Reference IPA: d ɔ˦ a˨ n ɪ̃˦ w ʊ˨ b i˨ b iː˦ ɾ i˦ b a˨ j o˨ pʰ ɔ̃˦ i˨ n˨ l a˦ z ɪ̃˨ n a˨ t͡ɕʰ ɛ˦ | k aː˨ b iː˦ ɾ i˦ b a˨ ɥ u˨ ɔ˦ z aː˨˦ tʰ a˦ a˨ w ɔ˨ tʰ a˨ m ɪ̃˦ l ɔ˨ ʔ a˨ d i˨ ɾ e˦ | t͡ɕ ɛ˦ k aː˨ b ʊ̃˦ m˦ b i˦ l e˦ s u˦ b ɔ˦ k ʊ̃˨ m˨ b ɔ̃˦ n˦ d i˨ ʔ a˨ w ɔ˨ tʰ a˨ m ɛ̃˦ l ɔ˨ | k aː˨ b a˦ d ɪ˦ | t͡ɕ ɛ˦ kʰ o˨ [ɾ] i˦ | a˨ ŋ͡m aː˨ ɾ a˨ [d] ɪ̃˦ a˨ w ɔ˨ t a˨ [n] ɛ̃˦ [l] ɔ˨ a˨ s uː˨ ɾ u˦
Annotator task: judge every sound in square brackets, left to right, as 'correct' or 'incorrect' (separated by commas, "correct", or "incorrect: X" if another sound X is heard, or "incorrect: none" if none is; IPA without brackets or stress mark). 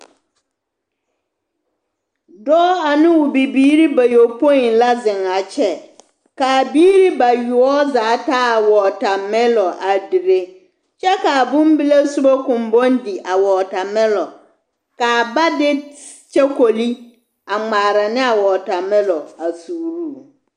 incorrect: l, incorrect: n, incorrect: m, correct